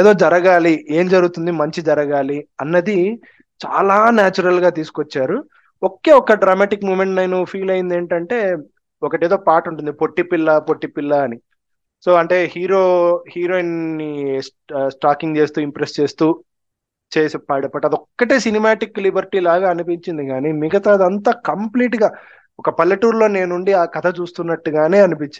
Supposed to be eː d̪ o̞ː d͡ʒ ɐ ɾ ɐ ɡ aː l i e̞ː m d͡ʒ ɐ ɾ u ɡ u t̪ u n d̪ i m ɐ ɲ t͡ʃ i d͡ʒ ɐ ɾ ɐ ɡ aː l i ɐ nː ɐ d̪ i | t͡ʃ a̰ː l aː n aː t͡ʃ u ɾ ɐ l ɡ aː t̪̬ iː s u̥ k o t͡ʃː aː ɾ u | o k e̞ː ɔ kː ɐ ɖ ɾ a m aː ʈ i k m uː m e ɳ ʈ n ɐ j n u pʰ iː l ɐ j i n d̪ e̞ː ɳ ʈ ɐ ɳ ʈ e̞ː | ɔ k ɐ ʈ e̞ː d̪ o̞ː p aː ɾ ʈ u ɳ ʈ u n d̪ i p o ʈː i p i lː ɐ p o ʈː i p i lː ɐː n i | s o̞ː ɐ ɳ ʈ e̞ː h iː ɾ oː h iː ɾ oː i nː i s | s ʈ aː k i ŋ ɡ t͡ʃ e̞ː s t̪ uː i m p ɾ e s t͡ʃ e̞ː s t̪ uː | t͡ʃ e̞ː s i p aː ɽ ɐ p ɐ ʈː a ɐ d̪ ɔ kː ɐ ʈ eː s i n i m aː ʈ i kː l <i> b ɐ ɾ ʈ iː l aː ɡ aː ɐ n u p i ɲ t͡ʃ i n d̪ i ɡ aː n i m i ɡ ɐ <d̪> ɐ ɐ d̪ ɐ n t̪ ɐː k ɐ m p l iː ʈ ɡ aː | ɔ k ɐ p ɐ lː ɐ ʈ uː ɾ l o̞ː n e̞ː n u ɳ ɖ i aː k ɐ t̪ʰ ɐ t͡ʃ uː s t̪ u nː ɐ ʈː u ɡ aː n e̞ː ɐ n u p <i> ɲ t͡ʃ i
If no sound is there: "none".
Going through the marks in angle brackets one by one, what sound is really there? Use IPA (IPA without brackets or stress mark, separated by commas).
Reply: i, t̪, i